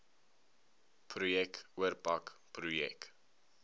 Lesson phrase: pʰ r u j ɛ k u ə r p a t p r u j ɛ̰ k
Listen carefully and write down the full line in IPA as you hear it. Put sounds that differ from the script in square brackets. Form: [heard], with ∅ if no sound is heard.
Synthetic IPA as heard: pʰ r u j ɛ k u ə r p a [k] p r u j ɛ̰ k